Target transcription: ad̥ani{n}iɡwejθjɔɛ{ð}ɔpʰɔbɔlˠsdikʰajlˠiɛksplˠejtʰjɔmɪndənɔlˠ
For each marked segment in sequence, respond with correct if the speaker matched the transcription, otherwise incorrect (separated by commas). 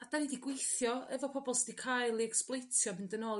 incorrect, incorrect